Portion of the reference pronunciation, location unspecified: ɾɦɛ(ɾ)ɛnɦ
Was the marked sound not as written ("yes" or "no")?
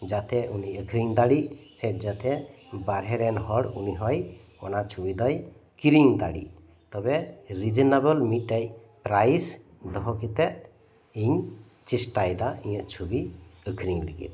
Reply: no